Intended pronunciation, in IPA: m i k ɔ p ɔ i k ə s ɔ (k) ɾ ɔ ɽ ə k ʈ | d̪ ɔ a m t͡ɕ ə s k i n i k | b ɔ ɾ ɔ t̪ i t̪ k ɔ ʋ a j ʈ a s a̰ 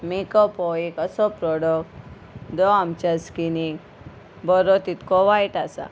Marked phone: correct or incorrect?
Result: incorrect